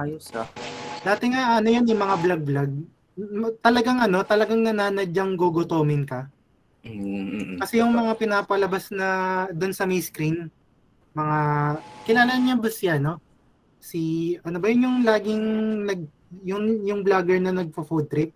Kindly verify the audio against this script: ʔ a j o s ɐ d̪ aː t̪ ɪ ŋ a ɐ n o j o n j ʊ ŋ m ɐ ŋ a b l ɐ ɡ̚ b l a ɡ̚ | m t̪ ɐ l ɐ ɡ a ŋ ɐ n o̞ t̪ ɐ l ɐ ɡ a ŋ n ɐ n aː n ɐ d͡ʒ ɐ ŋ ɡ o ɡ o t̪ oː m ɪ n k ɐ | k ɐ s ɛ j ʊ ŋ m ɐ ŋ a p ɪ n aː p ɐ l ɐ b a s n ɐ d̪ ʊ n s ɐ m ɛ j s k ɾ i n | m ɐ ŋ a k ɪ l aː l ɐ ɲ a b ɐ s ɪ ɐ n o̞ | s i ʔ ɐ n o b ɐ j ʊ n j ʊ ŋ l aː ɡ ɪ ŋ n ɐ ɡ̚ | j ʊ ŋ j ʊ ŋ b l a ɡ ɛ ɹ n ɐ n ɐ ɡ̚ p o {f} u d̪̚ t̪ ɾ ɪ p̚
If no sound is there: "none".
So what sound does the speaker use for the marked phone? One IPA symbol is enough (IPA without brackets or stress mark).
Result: f